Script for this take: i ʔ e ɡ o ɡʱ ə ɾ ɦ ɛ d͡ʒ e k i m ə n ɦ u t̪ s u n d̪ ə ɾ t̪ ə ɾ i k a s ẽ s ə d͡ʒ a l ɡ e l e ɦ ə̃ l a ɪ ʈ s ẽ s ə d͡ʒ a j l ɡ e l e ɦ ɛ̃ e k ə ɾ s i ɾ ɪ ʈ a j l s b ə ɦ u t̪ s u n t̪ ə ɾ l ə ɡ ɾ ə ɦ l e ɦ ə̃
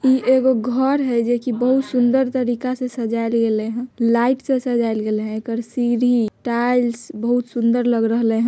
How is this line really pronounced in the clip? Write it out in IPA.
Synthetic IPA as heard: i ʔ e ɡ o ɡʱ ə ɾ ɦ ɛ d͡ʒ e k i b ə ɦ u t̪ s u n d̪ ə ɾ t̪ ə ɾ i k a s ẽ s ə d͡ʒ a l ɡ e l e ɦ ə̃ l a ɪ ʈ s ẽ s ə d͡ʒ a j l ɡ e l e ɦ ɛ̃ e k ə ɾ s i ɾ i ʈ a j l s b ə ɦ u t̪ s u n d̪ ə ɾ l ə ɡ ɾ ə ɦ l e ɦ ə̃